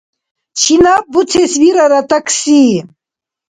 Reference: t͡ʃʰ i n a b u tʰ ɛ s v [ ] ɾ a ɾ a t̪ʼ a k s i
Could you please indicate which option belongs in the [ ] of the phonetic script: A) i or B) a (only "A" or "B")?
A